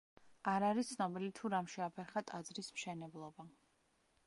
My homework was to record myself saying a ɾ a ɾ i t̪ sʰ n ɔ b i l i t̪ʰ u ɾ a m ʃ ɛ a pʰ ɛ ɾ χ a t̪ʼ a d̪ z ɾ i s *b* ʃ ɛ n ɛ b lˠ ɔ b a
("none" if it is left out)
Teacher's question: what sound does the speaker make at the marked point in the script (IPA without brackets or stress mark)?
m